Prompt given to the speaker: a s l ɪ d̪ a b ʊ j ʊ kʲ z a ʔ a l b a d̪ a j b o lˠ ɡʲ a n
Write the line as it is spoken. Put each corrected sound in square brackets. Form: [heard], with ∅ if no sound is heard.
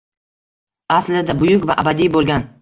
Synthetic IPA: a s l ɪ d̪ a b ʊ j ʊ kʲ [v] a ʔ a [∅] b a d̪ [i] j b o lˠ ɡʲ a n